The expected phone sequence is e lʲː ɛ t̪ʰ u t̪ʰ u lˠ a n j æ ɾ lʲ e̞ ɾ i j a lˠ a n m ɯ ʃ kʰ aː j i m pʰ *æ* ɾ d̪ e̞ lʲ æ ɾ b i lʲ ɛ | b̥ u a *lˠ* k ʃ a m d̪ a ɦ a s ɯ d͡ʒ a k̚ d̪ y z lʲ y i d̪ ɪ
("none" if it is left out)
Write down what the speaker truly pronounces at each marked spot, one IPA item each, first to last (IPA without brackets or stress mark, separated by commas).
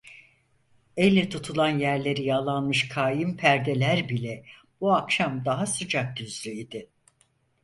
æ, none